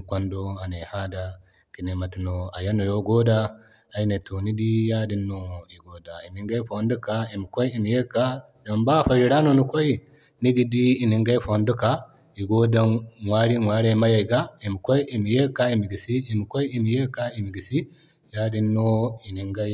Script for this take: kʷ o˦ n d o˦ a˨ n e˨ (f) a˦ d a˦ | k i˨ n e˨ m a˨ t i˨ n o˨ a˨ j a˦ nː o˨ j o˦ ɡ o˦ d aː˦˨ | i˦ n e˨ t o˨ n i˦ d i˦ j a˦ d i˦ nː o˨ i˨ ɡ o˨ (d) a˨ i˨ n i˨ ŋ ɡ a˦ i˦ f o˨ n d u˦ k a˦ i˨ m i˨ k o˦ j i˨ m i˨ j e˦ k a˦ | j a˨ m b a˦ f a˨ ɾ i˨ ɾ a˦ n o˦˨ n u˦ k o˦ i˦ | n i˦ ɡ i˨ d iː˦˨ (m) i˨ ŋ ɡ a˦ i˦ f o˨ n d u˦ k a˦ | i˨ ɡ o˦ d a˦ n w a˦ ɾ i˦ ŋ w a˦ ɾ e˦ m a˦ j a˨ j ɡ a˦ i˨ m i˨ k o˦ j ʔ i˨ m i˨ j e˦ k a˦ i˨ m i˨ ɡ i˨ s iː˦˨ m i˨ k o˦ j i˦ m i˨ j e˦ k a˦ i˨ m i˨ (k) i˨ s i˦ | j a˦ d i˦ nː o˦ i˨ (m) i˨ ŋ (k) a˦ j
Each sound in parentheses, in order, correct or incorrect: incorrect, correct, incorrect, incorrect, incorrect, incorrect

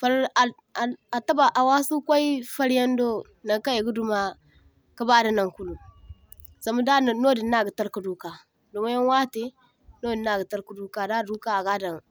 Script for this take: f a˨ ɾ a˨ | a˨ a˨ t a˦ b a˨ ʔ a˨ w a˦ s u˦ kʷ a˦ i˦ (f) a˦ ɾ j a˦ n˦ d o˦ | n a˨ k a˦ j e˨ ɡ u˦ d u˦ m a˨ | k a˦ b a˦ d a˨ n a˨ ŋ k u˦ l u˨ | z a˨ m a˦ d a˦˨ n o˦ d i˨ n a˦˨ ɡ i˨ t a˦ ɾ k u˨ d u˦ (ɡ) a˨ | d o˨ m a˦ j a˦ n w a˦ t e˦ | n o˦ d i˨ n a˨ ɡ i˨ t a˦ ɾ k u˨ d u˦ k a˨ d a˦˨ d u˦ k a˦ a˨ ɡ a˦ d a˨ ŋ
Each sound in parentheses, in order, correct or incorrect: correct, incorrect

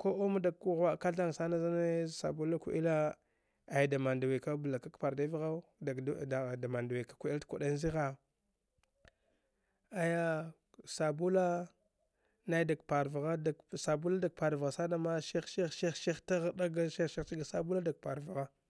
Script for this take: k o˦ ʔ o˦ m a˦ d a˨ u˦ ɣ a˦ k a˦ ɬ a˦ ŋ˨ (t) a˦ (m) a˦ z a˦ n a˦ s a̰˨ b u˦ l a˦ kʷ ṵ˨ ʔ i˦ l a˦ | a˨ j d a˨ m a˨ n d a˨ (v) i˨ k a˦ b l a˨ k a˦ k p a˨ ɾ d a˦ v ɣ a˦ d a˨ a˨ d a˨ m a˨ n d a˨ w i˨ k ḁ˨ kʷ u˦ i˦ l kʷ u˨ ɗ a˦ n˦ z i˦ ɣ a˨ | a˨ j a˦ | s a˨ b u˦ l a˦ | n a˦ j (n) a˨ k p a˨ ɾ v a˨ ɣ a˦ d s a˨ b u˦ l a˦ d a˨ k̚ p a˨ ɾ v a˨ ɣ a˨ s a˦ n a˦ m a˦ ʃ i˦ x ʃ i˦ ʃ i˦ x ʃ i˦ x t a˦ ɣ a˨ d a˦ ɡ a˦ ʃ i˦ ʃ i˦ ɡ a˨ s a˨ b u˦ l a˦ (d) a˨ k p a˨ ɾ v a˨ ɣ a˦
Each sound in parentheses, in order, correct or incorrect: incorrect, incorrect, incorrect, incorrect, correct

